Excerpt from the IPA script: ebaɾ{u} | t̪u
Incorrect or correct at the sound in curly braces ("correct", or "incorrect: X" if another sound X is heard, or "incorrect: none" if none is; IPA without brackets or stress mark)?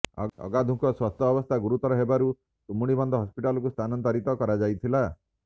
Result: correct